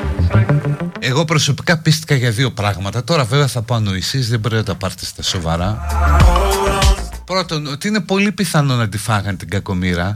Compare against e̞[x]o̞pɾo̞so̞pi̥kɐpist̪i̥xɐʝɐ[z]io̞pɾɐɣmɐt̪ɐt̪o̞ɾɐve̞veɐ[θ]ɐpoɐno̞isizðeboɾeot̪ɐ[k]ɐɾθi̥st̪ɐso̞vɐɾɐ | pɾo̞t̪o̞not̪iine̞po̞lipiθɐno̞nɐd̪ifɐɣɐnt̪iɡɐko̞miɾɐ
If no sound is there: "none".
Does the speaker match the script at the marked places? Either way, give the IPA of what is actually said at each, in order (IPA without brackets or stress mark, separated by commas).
ɣ, ð, θ, p